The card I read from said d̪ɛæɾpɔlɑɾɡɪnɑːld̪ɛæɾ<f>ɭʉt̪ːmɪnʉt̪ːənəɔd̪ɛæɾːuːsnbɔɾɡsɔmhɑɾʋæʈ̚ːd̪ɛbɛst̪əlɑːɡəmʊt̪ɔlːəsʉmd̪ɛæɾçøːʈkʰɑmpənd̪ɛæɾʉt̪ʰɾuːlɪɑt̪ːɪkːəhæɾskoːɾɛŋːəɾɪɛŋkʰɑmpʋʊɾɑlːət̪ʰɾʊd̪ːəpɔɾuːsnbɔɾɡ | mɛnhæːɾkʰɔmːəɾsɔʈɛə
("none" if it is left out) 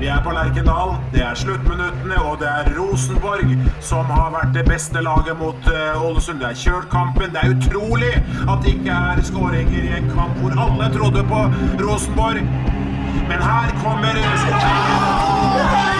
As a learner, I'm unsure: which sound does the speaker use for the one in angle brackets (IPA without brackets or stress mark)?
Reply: ʂ